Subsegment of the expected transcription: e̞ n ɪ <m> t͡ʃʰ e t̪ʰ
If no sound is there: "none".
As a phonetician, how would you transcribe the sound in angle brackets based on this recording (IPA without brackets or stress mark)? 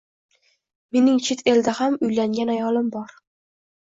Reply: ŋ